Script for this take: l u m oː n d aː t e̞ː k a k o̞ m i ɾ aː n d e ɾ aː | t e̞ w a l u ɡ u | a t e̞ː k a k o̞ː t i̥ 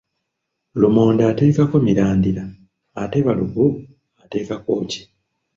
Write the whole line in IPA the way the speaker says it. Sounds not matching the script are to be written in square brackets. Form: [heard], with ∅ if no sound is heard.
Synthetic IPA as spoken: l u m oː n d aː t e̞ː k a k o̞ m i ɾ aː n d [i] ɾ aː | t e̞ [β] a l u ɡ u | a t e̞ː k a k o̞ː [c] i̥